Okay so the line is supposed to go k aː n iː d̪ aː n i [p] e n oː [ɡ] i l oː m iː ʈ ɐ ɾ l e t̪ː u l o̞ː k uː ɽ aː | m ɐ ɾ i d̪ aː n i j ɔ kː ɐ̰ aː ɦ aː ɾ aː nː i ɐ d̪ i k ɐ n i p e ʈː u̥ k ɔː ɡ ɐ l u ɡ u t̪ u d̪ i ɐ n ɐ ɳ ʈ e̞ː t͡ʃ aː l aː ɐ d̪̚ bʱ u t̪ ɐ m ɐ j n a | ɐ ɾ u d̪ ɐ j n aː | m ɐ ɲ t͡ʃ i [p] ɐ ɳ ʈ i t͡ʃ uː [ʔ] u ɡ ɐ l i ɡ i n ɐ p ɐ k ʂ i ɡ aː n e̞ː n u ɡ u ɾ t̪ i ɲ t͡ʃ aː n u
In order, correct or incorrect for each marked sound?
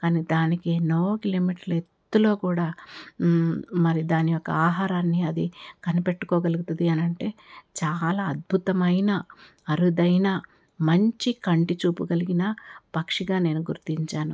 incorrect: k, incorrect: k, incorrect: k, incorrect: p

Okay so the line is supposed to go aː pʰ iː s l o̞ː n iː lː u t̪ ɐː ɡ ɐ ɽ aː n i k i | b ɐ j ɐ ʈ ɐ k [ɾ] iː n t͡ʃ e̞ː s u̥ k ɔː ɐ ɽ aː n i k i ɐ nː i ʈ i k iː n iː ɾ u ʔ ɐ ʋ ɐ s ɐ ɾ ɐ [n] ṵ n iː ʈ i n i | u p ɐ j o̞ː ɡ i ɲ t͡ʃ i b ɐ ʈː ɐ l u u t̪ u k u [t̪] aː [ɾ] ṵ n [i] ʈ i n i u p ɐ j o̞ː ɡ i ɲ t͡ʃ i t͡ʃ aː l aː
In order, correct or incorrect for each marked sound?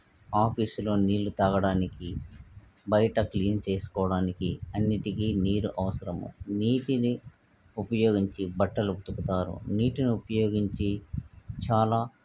incorrect: l, incorrect: m, correct, correct, incorrect: iː

